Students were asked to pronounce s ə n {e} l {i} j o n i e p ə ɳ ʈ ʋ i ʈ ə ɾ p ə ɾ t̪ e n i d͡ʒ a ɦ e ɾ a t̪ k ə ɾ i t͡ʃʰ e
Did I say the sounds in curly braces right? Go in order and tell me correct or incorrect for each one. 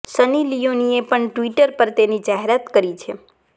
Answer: incorrect: i, correct

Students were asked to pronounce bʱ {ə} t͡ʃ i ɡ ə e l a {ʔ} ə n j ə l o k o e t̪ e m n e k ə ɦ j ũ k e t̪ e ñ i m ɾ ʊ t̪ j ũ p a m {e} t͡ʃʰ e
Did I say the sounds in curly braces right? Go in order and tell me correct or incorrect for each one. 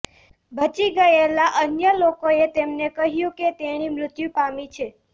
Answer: correct, correct, incorrect: i

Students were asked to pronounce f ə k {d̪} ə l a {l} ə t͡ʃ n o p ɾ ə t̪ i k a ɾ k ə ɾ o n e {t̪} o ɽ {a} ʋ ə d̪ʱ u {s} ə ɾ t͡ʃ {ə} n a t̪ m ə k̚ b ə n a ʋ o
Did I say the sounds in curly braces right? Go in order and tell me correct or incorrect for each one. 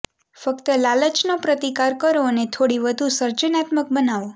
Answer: incorrect: t̪, correct, incorrect: t̪ʰ, incorrect: i, correct, correct

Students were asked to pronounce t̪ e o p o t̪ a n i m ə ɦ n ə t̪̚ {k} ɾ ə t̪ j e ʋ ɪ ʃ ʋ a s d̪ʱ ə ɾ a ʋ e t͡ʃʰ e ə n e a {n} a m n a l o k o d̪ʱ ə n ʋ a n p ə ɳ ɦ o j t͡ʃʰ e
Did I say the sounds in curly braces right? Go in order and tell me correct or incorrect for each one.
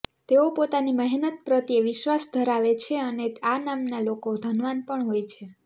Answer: incorrect: p, correct

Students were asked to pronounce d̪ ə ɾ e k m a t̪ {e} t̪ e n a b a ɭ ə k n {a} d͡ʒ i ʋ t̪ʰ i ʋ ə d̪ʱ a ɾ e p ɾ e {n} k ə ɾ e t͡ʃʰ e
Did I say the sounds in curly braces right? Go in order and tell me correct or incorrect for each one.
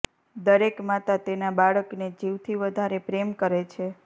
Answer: incorrect: a, incorrect: e, incorrect: m

